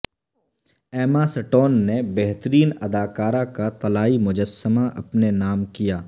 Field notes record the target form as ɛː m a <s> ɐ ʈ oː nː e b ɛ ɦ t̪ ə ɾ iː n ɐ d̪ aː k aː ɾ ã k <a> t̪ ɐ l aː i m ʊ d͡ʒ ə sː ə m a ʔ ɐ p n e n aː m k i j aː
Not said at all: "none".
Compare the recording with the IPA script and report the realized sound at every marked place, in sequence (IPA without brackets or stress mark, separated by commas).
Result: s, a